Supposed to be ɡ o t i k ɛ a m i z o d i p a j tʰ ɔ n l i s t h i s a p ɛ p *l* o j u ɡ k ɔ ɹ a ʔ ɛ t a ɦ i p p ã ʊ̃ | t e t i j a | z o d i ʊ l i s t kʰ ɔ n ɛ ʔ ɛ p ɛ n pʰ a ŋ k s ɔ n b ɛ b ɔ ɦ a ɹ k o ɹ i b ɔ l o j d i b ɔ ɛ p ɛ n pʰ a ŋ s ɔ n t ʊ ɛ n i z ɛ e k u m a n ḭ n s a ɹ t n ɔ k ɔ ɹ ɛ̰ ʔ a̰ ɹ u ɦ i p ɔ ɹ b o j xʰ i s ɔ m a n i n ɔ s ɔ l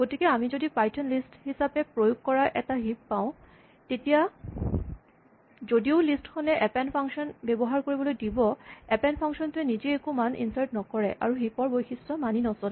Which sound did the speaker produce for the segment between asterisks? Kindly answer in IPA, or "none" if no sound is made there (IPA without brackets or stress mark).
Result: ɹ